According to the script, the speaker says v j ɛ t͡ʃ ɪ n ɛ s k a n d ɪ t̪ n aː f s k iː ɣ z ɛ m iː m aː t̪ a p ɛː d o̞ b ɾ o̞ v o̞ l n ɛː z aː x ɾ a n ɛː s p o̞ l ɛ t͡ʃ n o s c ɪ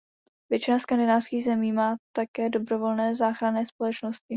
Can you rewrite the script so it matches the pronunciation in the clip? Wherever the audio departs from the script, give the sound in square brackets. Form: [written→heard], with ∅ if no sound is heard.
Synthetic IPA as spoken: v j ɛ t͡ʃ ɪ n [ɛ→a] s k a n d ɪ [t̪→∅] n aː f s k iː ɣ z ɛ m iː m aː t̪ a [p→k] ɛː d o̞ b ɾ o̞ v o̞ l n ɛː z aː x ɾ a n ɛː s p o̞ l ɛ t͡ʃ n o s c ɪ